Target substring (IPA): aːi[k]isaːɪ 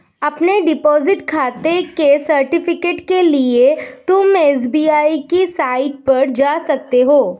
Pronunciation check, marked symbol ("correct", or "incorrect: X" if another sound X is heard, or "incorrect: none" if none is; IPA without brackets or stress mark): correct